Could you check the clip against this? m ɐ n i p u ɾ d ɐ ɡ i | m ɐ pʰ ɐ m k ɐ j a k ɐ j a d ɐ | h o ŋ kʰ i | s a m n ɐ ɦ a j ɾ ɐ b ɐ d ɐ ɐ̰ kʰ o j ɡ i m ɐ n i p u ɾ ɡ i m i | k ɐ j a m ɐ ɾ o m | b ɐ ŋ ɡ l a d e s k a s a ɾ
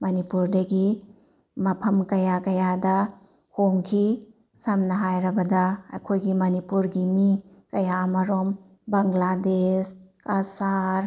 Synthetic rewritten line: m ɐ n i p u ɾ d ɐ ɡ i | m ɐ pʰ ɐ m k ɐ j a k ɐ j a d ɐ | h o ŋ kʰ i | s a m n ɐ ɦ a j ɾ ɐ b ɐ d ɐ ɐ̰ kʰ o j ɡ i m ɐ n i p u ɾ ɡ i m i | k ɐ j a m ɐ ɾ o m | b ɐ ŋ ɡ l a d e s k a s a ɾ